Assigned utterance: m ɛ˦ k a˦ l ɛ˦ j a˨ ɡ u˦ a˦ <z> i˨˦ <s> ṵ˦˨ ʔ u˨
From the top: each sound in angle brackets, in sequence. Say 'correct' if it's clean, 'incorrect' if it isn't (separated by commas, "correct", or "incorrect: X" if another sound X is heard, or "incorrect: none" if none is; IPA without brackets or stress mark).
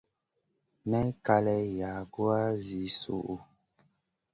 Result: correct, correct